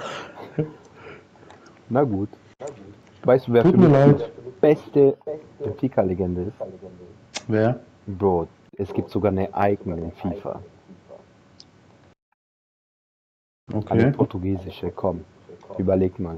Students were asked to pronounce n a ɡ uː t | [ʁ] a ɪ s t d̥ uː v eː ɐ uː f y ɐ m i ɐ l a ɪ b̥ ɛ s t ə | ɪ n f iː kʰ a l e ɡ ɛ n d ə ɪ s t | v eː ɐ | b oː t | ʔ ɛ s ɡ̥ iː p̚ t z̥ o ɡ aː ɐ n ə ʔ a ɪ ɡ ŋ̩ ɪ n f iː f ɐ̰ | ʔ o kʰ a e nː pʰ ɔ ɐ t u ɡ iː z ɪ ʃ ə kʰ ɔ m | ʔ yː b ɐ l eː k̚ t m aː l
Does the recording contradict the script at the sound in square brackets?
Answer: yes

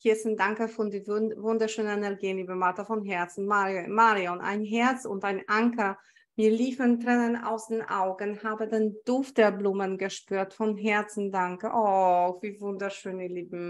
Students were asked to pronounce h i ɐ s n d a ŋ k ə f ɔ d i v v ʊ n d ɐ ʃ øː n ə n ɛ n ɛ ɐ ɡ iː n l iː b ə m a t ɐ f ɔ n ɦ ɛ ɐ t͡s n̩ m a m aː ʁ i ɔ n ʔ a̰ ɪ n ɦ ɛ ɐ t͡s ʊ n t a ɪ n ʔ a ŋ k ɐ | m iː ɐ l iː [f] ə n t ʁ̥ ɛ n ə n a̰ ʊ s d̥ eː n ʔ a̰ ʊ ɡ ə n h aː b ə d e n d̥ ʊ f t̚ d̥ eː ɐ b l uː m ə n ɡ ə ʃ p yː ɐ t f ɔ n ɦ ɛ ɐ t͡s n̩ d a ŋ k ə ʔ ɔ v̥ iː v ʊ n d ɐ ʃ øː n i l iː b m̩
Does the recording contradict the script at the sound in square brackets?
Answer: no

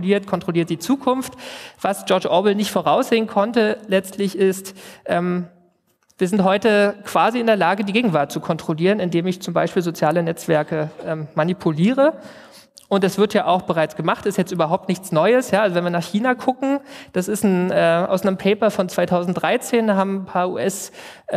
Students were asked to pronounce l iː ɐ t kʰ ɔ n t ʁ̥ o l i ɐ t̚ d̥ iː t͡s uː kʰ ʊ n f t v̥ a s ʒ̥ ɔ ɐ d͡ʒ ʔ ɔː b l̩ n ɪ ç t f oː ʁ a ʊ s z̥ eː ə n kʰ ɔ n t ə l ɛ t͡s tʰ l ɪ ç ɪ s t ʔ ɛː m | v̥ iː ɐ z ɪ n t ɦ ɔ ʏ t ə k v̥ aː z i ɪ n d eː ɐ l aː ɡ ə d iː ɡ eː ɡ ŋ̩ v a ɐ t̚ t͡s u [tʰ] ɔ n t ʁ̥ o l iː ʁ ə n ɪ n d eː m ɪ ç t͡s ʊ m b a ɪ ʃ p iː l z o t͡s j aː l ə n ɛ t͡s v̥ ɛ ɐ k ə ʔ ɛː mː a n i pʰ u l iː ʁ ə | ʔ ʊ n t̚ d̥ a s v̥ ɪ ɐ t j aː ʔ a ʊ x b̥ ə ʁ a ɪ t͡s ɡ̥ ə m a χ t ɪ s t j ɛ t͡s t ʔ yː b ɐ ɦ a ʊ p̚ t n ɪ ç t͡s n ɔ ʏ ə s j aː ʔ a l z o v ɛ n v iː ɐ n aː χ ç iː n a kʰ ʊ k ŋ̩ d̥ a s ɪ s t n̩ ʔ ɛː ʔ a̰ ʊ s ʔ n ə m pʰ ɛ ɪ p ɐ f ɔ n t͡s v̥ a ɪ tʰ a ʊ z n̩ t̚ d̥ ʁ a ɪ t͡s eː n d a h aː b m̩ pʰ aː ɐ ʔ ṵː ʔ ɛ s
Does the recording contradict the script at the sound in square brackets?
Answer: yes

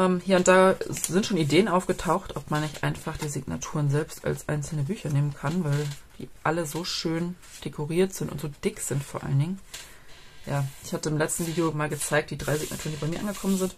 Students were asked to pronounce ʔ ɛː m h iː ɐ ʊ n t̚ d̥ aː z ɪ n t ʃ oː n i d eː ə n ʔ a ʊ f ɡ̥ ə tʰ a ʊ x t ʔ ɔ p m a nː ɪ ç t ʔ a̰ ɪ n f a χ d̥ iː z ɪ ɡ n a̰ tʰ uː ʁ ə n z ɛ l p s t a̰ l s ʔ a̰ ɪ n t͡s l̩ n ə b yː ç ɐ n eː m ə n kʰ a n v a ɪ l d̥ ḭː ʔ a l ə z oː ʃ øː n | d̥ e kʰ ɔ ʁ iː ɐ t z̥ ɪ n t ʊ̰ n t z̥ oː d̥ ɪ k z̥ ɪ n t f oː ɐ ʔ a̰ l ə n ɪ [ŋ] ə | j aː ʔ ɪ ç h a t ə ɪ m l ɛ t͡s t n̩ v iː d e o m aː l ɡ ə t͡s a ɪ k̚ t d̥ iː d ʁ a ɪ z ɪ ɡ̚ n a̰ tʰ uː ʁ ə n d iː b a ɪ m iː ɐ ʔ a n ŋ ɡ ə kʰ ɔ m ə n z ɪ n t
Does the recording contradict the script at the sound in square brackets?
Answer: no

